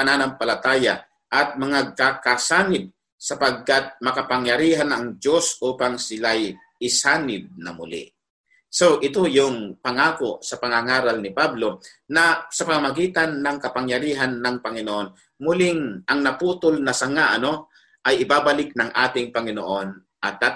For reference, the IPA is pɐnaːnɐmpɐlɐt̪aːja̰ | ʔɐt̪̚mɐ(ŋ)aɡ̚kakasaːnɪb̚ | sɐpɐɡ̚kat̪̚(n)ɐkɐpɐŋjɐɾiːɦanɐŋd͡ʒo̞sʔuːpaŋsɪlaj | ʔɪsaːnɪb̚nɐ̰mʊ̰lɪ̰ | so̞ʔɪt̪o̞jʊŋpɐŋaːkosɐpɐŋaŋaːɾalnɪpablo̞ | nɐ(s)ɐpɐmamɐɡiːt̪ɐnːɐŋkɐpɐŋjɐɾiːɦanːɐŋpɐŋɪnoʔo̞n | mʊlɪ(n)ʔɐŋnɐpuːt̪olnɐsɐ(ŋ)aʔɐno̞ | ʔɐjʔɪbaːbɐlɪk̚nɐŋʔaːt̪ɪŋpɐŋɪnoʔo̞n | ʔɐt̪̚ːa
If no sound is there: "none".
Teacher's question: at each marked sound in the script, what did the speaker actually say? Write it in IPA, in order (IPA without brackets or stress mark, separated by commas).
ŋ, m, s, ŋ, ŋ